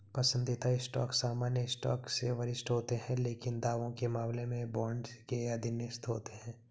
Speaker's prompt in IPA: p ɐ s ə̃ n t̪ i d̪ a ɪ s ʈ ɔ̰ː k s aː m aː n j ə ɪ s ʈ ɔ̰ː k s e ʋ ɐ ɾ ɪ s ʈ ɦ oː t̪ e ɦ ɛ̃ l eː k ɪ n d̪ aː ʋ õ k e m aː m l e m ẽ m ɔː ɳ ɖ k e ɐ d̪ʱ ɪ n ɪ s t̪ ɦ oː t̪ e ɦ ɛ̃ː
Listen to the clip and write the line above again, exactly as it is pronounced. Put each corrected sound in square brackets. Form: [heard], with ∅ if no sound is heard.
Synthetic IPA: p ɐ s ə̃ n [d̪] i [t̪] a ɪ s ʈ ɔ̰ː k s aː m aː n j ə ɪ s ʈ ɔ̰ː k s e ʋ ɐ ɾ ɪ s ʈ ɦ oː t̪ e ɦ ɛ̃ l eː k ɪ n d̪ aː ʋ õ k e m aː m l e m ẽ [b] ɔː ɳ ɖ k e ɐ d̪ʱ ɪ n ɪ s t̪ ɦ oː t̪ e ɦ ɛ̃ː